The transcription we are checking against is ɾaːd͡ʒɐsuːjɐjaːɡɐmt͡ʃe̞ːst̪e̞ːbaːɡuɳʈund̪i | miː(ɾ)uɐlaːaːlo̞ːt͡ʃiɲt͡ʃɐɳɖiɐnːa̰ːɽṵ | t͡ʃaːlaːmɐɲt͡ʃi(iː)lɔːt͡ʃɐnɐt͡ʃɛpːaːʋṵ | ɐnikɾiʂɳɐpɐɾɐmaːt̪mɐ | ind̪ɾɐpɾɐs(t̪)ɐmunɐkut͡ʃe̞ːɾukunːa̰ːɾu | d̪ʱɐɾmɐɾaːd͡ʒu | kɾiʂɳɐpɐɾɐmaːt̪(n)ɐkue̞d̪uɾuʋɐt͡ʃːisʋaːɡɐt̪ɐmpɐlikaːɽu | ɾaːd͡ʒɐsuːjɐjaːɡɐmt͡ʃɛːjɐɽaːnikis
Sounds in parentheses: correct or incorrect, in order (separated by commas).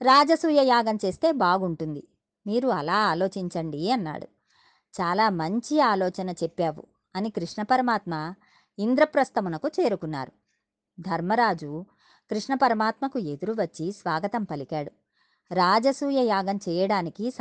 correct, incorrect, correct, incorrect